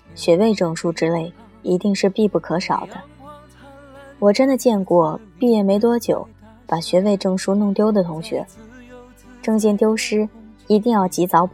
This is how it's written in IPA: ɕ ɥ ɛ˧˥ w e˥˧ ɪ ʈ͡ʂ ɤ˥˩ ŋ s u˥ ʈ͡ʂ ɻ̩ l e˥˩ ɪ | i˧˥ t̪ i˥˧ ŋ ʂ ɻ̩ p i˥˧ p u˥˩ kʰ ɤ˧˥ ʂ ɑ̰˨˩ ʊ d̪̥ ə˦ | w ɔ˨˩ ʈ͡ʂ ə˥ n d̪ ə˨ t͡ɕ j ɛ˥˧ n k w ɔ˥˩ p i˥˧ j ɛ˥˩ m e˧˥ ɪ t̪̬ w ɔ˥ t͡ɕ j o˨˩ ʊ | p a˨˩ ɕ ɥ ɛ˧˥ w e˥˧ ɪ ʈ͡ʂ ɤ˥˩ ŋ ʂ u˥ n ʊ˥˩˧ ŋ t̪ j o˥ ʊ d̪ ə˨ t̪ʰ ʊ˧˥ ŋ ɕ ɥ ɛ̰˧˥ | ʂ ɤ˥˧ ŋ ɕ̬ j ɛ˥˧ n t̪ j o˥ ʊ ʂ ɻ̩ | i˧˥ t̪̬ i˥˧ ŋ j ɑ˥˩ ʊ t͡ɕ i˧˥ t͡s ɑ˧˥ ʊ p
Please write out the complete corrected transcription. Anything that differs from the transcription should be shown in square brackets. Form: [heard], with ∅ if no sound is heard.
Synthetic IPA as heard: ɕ ɥ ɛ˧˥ w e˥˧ ɪ ʈ͡ʂ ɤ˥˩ ŋ [ʂ] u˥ ʈ͡ʂ ɻ̩ l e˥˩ ɪ | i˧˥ t̪ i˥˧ ŋ ʂ ɻ̩ p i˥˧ p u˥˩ kʰ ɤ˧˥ ʂ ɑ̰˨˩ ʊ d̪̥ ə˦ | w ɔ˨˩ ʈ͡ʂ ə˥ n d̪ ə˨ t͡ɕ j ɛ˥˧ n k w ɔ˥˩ p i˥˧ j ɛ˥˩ m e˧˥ ɪ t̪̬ w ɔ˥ t͡ɕ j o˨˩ ʊ | p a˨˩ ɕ ɥ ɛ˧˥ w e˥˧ ɪ ʈ͡ʂ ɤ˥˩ ŋ ʂ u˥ n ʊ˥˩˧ ŋ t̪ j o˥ ʊ d̪ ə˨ t̪ʰ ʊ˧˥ ŋ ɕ ɥ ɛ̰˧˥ | [ʈ͡ʂ] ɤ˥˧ ŋ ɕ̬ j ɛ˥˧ n t̪ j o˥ ʊ ʂ ɻ̩ | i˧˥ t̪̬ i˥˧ ŋ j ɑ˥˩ ʊ t͡ɕ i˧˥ t͡s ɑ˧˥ ʊ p